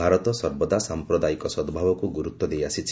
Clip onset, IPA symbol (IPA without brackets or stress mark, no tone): a